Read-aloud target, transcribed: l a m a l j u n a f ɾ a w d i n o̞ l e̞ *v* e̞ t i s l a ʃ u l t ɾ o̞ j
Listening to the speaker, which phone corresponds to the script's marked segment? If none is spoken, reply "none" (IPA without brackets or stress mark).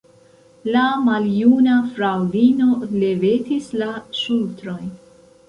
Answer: v